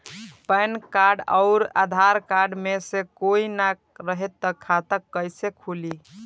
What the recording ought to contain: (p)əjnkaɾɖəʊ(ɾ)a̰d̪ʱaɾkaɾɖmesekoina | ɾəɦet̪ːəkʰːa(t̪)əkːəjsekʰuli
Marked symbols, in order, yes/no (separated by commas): yes, yes, yes